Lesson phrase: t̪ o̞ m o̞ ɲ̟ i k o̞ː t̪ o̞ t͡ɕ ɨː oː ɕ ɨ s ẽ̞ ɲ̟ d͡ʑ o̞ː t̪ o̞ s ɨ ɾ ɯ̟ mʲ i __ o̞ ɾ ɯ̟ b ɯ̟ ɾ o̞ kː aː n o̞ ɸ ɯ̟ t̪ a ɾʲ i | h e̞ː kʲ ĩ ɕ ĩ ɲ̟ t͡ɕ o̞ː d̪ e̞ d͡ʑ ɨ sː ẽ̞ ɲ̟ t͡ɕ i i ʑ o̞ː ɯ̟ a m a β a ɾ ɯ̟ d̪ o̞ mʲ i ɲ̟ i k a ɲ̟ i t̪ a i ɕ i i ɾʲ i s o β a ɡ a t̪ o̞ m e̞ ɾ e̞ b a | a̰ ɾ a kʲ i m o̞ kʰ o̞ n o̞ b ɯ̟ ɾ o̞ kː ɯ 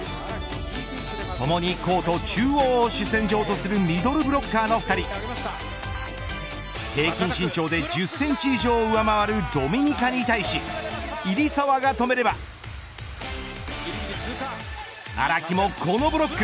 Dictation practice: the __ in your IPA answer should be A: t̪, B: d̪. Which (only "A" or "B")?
B